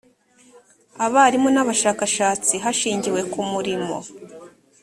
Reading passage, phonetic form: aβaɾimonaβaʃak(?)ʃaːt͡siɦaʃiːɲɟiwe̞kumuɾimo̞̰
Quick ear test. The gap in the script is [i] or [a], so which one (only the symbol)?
a